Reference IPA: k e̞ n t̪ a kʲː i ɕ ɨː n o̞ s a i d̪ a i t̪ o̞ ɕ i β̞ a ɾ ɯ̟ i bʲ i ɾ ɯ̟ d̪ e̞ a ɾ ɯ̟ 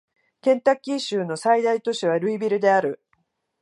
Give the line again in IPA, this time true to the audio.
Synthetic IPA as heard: k ẽ̞ n t̪ a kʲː i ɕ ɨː n o̞ s a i d̪ a i t̪ o̞ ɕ i β̞ a ɾ ɯ̟ i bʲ i ɾ ɯ̟ d̪ e̞ a ɾ ɯ̟